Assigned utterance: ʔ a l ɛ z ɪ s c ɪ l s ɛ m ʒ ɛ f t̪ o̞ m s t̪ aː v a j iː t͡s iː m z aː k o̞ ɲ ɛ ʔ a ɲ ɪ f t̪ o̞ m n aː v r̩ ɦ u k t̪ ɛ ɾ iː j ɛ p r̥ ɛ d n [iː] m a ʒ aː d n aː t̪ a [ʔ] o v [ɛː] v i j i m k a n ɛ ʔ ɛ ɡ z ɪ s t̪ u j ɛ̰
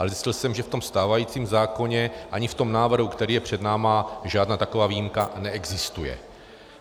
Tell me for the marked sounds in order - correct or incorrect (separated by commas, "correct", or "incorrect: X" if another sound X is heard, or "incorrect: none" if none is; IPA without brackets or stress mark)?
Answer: incorrect: aː, incorrect: k, incorrect: aː